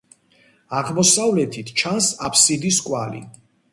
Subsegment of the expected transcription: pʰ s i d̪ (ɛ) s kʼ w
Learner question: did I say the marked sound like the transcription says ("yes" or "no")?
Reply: no